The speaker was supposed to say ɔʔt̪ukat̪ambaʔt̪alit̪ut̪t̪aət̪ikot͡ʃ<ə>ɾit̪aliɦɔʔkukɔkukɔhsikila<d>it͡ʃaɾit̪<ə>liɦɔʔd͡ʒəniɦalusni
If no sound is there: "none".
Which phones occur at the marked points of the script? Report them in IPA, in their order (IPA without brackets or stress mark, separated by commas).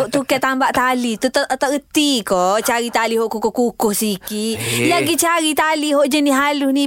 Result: a, ɡ, a